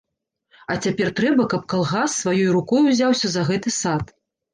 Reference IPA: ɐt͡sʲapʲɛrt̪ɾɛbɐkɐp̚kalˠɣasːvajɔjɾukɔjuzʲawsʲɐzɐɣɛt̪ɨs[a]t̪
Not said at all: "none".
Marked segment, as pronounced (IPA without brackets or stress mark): a